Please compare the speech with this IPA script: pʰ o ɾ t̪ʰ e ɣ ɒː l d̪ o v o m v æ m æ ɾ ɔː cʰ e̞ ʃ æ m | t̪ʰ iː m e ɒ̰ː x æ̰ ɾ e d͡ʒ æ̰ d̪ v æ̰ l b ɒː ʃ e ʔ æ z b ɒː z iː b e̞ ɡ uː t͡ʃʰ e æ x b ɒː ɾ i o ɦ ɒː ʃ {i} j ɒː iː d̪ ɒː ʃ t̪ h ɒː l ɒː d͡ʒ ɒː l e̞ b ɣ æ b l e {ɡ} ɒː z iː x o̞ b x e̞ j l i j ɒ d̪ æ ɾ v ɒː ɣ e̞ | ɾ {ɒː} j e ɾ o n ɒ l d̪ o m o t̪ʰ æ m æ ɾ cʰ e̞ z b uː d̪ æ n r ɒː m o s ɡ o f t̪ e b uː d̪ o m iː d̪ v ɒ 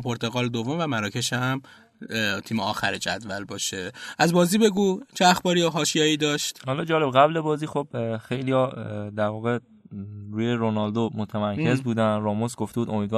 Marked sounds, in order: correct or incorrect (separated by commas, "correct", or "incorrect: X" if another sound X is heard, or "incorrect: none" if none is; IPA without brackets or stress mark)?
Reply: correct, incorrect: b, incorrect: uː